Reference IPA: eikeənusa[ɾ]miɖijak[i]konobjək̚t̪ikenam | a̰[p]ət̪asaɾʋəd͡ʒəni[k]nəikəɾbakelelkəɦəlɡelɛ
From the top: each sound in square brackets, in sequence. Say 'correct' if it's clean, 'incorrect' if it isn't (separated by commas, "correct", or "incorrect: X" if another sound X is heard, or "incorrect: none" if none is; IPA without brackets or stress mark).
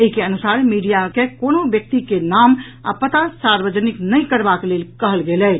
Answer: correct, incorrect: e, correct, correct